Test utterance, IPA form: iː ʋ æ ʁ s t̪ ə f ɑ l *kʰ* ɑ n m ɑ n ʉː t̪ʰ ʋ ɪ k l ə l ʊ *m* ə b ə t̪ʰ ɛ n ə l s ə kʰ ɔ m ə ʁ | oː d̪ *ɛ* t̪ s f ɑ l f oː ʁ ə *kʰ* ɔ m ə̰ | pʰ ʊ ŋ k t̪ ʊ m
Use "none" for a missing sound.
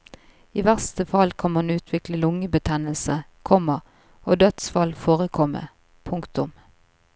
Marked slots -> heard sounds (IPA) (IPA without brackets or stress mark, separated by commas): kʰ, ŋ, œ, kʰ